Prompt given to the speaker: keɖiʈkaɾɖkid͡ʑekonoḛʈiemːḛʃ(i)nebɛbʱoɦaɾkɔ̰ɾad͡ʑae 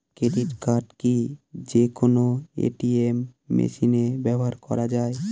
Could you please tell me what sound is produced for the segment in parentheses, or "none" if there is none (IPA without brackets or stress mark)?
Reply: i